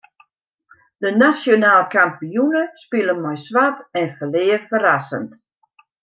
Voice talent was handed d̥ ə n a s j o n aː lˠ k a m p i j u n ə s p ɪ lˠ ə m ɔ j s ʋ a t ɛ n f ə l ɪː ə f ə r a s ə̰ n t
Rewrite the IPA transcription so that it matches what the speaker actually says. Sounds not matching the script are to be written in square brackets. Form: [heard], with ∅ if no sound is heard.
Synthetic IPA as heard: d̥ ə n a s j o n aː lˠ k a m p i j u n ə s p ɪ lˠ ə m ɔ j s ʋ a t ɛ n f ə l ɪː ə f ə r a s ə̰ n t